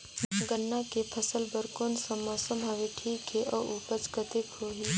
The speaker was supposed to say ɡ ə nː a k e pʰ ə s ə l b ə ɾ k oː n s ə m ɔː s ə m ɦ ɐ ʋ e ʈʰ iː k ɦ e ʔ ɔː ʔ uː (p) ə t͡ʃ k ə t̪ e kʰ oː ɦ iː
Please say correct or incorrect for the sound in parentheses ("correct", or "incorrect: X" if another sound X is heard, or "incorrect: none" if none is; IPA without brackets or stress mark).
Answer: correct